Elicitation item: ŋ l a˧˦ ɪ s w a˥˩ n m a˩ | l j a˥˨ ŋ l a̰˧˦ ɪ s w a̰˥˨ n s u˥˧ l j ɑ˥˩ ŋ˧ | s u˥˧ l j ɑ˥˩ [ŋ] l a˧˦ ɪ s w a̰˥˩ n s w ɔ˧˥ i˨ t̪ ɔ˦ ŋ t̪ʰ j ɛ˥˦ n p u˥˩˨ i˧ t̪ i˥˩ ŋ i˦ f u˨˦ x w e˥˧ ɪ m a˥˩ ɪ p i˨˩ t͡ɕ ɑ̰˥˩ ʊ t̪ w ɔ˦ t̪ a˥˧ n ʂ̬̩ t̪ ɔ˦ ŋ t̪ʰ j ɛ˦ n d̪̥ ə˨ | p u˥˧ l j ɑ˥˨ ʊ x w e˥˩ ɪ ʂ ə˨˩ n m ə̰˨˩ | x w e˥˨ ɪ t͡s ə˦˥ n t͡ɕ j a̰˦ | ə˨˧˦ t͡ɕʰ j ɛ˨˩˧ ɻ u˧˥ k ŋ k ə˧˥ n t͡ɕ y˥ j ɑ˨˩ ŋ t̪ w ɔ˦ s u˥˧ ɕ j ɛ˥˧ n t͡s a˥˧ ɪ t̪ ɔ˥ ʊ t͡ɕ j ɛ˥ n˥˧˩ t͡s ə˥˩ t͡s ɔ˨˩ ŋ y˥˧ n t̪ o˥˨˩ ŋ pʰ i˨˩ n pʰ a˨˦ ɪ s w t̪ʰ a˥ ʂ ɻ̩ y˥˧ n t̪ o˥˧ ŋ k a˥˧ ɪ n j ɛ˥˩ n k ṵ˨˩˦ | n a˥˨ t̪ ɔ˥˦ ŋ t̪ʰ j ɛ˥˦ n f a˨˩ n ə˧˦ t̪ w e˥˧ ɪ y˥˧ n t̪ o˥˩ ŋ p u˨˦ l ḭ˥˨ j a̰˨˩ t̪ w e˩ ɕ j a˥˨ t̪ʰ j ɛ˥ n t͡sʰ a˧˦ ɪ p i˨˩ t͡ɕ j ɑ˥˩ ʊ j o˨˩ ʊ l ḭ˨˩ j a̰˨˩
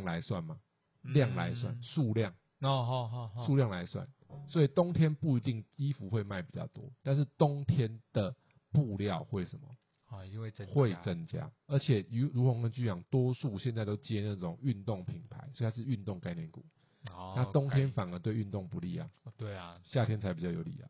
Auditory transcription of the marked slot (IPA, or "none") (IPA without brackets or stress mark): ŋ